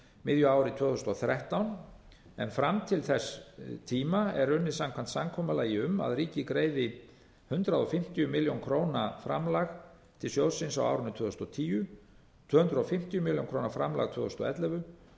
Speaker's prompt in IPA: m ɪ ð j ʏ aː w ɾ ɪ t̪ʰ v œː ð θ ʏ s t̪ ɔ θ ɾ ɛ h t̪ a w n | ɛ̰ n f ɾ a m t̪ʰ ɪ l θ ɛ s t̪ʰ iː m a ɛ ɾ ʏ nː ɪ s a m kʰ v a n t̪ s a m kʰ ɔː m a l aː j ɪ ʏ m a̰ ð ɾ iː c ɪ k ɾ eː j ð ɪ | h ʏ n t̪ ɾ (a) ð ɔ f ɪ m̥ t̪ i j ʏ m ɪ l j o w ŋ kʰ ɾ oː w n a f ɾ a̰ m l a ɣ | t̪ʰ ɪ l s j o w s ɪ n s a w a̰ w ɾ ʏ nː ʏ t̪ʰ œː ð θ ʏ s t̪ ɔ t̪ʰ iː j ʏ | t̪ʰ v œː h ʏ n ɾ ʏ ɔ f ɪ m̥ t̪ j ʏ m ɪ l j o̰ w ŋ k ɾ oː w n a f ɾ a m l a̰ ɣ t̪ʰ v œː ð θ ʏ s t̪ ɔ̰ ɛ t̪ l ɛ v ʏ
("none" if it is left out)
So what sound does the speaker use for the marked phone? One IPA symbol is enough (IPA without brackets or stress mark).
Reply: a